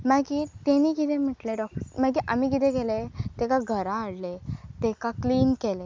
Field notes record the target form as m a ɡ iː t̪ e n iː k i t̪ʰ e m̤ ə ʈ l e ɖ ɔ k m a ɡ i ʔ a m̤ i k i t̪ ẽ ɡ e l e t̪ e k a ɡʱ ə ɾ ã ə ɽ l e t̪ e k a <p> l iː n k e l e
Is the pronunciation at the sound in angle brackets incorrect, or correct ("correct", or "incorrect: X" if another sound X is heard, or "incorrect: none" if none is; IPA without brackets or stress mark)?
incorrect: k